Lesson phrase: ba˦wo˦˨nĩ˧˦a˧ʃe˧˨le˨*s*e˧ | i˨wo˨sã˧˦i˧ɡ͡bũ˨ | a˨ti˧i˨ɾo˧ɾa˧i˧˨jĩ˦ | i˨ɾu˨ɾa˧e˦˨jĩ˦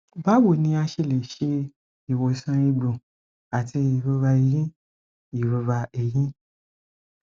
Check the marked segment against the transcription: incorrect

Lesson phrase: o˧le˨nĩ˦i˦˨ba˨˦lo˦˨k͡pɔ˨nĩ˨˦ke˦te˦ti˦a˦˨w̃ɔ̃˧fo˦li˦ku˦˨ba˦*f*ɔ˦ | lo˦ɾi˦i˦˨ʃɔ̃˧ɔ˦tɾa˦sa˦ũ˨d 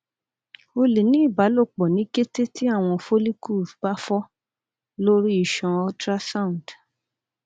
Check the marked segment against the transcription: correct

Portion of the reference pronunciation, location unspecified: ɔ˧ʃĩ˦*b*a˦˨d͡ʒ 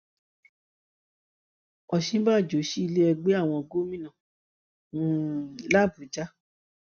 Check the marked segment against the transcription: correct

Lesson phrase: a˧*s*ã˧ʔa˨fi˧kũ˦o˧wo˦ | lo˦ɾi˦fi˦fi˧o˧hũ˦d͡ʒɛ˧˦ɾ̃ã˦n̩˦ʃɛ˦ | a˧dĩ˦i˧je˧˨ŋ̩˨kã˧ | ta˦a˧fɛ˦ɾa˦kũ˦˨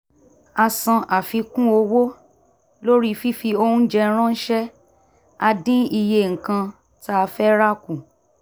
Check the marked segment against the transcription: correct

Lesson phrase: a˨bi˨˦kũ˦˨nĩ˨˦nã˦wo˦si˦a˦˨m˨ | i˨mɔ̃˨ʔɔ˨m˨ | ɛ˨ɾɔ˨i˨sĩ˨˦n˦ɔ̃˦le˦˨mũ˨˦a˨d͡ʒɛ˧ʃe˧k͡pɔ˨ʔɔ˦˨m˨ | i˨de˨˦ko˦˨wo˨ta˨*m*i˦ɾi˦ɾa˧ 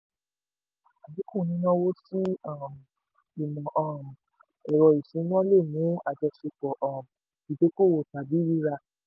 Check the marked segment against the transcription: incorrect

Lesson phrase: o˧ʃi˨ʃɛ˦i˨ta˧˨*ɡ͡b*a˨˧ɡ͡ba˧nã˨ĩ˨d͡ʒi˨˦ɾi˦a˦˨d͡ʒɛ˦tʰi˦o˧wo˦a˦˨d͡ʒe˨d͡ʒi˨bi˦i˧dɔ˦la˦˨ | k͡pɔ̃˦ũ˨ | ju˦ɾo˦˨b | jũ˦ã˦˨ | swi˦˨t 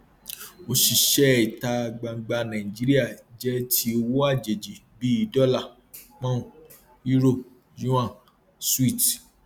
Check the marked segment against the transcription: correct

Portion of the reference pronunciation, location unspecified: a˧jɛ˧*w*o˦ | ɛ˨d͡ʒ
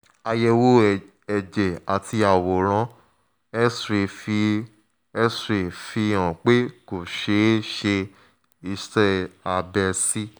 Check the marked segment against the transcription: correct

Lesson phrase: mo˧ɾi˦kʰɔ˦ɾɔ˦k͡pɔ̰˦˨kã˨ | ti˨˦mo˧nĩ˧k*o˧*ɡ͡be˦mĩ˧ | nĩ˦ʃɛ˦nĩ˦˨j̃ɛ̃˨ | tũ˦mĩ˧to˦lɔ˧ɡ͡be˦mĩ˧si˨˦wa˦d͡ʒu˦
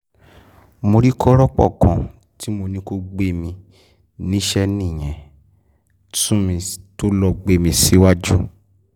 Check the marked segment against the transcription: correct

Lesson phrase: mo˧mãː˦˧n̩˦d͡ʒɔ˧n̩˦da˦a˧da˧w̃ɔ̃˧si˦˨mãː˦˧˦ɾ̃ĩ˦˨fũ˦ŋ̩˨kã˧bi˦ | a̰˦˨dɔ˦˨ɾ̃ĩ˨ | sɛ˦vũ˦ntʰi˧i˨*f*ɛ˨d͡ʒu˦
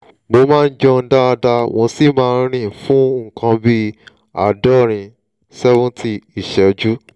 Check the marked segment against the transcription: incorrect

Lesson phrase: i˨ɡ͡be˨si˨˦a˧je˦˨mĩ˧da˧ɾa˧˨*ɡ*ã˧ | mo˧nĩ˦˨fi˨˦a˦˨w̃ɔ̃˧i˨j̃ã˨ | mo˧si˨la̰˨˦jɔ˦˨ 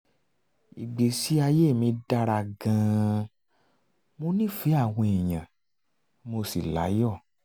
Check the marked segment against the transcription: correct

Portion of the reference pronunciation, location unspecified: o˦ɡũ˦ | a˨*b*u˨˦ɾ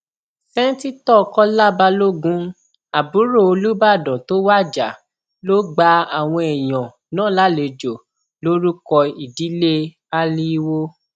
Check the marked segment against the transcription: correct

